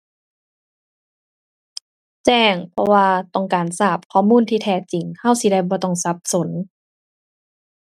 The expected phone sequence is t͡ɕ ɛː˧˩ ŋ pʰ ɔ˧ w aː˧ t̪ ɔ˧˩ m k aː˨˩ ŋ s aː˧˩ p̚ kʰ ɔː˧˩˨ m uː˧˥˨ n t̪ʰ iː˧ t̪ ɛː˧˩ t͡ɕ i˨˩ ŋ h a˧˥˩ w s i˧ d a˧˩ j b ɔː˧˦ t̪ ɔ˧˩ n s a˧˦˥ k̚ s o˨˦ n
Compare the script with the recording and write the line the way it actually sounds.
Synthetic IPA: t͡ɕ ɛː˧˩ ŋ pʰ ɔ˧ w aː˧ t̪ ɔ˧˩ ŋ k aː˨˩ n s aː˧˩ p̚ kʰ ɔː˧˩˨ m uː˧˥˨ n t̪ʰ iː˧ t̪ʰ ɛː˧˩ t͡ɕ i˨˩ ŋ h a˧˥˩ w s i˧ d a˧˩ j b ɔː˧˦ t̪ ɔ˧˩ ŋ s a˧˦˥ p̚ s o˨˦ n

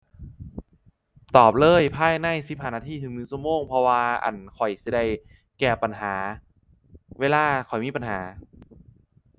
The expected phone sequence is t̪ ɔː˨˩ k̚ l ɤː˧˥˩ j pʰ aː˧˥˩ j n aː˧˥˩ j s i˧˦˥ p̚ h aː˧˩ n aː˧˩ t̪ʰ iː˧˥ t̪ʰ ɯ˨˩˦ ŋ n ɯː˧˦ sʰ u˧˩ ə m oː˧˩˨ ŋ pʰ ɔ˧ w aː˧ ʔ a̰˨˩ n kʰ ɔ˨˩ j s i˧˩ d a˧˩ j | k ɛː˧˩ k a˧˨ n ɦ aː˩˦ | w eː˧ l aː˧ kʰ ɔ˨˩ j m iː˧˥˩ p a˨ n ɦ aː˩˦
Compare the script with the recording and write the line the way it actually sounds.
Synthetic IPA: t̪ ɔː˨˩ p̚ l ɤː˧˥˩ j pʰ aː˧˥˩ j n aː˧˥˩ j s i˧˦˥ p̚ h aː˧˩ n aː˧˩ t̪ʰ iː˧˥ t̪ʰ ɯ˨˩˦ ŋ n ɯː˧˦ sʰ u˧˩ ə m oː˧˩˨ ŋ pʰ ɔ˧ w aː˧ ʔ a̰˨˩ n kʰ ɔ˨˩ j s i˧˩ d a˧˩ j | k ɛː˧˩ p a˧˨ n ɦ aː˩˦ | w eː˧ l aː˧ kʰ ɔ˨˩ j m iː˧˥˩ p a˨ n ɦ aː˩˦

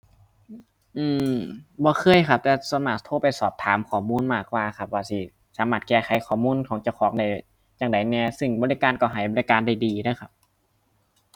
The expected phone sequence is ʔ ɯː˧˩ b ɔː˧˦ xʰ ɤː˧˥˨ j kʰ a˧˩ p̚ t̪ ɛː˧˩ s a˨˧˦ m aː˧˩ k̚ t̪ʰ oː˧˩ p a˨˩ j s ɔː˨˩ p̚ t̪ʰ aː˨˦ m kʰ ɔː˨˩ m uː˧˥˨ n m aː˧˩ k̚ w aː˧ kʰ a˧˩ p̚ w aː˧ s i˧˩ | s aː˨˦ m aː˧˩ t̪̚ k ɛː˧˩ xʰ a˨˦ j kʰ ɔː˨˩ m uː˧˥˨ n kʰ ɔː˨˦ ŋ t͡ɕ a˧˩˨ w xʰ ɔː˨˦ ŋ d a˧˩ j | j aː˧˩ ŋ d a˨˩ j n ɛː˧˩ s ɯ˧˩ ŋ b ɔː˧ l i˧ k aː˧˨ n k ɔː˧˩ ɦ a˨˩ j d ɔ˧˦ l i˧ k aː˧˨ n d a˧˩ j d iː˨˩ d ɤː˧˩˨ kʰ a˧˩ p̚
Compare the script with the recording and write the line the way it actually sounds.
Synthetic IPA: ʔ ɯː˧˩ b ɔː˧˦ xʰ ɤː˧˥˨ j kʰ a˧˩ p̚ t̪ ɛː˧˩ s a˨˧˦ m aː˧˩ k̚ t̪ʰ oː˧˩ p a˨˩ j s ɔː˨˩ p̚ t̪ʰ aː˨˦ m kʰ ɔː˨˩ m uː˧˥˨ n m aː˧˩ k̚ w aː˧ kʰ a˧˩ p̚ w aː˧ s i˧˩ | s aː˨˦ m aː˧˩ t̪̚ k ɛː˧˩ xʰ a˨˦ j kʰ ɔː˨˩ m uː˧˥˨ n kʰ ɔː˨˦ ŋ t͡ɕ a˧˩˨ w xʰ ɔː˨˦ ŋ d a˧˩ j | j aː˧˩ ŋ d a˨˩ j n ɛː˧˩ s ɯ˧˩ ŋ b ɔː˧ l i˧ k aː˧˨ n k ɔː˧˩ ɦ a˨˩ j b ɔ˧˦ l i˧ k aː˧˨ n d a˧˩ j d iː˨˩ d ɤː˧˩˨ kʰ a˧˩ p̚

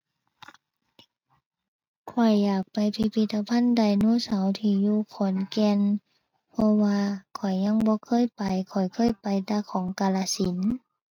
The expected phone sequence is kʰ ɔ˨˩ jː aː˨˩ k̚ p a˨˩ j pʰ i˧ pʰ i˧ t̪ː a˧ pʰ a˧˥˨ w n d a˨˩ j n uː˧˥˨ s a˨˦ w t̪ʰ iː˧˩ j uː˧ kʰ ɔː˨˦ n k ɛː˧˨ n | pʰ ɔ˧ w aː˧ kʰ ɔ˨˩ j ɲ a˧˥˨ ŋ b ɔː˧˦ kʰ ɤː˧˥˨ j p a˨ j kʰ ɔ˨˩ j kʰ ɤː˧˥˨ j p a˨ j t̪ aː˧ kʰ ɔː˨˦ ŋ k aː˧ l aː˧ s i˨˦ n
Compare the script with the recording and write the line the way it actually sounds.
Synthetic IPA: kʰ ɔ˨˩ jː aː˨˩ k̚ p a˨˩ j pʰ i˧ pʰ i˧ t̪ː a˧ pʰ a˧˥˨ n d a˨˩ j n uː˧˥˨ s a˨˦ w t̪ʰ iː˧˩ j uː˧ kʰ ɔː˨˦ n k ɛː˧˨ n | pʰ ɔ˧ w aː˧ kʰ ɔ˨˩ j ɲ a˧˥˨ ŋ b ɔː˧˦ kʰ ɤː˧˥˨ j p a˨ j kʰ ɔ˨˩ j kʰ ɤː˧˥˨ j p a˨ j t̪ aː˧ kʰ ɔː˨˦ ŋ k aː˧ l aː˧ s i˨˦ n

